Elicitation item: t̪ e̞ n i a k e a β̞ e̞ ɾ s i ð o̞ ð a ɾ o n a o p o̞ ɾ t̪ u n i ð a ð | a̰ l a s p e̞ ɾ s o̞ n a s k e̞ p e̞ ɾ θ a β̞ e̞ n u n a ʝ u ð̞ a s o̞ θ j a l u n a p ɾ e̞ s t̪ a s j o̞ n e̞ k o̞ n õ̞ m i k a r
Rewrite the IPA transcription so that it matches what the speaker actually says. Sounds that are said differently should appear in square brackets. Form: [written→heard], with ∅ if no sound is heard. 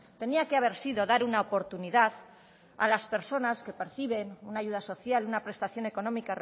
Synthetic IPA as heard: t̪ e̞ n i a k e a β̞ e̞ ɾ s i ð o̞ ð a ɾ [o→u] n a o p o̞ ɾ t̪ u n i ð a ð | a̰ l a s p e̞ ɾ s o̞ n a s k e̞ p e̞ ɾ θ [a→i] β̞ e̞ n u n a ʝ u ð̞ a s o̞ θ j a l u n a p ɾ e̞ s t̪ a [s→θ] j o̞ n e̞ k o̞ n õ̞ m i k a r